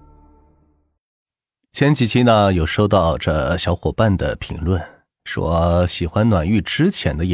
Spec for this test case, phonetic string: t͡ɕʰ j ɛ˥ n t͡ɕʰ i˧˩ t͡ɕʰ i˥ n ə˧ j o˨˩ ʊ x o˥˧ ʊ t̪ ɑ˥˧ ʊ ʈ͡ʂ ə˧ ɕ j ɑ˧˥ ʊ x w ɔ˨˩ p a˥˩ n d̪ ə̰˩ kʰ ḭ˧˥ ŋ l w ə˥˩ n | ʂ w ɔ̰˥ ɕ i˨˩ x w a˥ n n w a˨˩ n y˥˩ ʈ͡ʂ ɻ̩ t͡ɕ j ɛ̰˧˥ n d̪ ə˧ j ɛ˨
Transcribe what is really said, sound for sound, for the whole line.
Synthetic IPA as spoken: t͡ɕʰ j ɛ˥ n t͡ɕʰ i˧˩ t͡ɕʰ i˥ n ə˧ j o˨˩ ʊ ʂ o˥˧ ʊ t̪ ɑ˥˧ ʊ ʈ͡ʂ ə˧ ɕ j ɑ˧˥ ʊ x w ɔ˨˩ p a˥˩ n d̪ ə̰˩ pʰ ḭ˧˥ ŋ l w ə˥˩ n | ʂ w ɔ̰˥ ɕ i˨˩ x w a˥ n n w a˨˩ n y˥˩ ʈ͡ʂ ɻ̩ t͡ɕʰ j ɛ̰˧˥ n d̪ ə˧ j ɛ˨